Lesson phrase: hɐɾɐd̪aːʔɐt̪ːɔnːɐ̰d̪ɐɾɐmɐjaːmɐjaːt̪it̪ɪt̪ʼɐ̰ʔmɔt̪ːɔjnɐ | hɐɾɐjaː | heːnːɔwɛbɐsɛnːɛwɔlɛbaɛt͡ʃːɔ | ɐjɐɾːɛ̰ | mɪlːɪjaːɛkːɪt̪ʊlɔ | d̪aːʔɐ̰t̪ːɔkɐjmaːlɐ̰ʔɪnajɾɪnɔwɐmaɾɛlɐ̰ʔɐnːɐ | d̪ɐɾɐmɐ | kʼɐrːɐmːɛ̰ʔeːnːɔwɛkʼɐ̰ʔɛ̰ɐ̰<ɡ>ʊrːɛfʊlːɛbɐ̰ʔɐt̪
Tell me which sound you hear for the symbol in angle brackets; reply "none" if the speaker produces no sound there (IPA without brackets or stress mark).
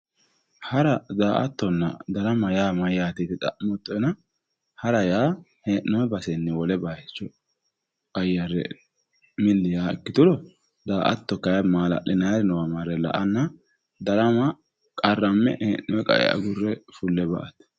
ɡ